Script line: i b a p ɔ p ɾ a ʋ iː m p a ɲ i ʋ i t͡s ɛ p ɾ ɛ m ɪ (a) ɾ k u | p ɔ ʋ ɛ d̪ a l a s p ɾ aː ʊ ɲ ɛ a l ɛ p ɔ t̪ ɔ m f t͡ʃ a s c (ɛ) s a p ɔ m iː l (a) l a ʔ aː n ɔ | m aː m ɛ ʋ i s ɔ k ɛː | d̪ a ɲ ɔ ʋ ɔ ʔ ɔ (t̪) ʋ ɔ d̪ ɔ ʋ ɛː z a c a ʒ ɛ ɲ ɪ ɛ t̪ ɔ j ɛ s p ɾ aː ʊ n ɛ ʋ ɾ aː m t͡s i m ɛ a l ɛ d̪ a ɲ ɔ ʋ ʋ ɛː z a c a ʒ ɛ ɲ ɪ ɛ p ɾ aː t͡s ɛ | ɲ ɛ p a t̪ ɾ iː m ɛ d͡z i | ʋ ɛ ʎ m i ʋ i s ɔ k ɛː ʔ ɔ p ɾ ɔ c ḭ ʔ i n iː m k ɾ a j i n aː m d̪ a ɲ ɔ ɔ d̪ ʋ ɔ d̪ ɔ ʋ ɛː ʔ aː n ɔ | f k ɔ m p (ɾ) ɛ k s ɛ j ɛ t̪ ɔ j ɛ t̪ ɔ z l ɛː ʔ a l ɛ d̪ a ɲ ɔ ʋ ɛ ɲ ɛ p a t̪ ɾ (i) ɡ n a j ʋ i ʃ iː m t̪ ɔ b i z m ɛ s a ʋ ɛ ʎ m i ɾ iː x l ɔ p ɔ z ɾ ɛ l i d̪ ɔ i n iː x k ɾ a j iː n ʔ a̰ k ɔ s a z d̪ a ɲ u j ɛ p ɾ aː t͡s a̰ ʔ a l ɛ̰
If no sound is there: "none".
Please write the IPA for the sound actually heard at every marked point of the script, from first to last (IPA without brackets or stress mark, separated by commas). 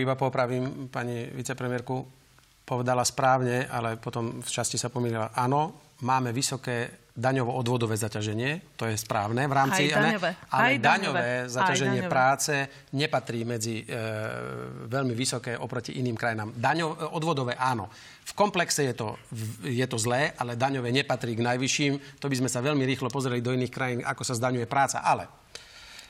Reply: ɛ, i, i, d̪, l, iː